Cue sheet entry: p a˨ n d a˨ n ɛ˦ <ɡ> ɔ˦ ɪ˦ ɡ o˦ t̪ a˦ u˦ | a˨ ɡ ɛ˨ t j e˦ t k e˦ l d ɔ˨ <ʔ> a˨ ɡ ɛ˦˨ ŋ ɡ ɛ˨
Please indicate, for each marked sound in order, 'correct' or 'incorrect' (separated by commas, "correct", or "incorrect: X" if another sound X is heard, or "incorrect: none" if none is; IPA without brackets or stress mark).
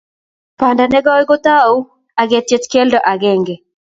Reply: correct, correct